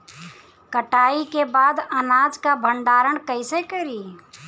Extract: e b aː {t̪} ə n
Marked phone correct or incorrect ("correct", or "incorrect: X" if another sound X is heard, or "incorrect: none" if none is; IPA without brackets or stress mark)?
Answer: incorrect: d̪